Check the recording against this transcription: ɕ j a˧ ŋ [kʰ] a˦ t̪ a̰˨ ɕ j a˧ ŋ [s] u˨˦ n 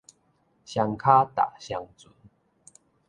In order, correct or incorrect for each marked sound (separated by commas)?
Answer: correct, incorrect